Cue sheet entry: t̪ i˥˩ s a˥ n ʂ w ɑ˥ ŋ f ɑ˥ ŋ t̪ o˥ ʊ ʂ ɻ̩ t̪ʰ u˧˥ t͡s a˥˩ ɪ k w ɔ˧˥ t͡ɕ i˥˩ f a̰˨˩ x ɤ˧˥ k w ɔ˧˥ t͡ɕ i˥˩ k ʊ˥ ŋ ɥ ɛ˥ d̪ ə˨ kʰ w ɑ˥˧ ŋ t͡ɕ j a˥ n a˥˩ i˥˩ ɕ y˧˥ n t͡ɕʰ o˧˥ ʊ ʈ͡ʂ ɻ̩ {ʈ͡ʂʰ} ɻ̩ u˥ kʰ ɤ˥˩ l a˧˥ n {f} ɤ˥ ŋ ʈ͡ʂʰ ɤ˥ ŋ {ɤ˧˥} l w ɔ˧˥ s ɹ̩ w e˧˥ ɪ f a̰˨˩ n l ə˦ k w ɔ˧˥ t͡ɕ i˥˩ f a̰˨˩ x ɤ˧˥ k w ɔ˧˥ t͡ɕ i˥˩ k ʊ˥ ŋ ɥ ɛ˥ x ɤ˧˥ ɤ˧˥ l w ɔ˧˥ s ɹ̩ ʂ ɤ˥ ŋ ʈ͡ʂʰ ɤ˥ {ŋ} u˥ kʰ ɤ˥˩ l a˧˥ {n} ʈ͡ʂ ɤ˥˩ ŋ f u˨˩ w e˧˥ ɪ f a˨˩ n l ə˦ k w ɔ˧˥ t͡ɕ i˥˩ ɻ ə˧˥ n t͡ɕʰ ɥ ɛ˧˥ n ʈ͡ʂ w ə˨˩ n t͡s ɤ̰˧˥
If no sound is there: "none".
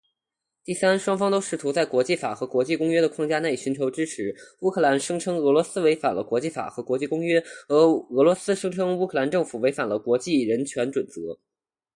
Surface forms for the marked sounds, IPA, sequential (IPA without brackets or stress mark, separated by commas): ʈ͡ʂʰ, ʂ, ɤ˧˥, ŋ, n